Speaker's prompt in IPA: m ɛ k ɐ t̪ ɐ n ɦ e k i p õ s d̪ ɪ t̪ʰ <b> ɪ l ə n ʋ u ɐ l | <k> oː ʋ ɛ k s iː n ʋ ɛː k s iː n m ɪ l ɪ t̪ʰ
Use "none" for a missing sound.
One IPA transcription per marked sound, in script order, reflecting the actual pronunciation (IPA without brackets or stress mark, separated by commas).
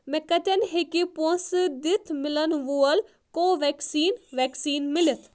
m, k